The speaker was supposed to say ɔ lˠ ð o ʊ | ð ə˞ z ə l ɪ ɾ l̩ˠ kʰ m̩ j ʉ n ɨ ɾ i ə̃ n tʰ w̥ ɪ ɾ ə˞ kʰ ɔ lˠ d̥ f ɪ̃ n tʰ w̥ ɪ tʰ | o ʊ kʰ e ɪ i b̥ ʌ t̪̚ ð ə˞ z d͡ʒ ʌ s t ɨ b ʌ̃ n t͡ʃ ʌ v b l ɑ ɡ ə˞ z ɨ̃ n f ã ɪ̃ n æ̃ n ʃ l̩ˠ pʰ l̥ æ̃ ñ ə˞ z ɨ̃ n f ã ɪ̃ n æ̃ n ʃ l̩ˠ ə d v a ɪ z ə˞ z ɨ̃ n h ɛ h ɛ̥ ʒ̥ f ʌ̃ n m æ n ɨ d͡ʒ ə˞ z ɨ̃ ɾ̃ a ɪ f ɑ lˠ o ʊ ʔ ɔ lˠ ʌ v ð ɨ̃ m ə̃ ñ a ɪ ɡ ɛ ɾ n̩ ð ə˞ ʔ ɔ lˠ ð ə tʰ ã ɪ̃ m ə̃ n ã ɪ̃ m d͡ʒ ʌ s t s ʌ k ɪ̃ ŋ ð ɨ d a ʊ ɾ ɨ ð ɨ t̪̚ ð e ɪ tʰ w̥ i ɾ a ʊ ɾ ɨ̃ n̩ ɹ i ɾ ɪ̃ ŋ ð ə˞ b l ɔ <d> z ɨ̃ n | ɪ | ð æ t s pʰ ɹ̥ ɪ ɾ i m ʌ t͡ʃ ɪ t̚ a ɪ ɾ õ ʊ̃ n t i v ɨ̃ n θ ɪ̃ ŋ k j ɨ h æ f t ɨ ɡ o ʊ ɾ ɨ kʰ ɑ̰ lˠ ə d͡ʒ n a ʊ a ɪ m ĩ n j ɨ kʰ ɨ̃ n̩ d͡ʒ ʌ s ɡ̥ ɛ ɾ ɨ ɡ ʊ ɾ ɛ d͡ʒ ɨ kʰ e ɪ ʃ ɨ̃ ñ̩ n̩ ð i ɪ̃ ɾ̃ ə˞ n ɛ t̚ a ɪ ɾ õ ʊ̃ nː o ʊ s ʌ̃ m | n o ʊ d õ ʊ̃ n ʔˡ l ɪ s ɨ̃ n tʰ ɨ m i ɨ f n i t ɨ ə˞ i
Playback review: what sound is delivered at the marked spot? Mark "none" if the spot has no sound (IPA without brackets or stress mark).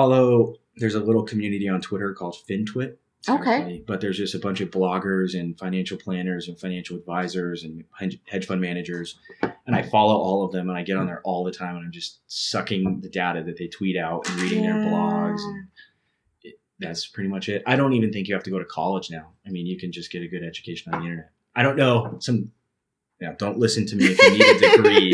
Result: ɡ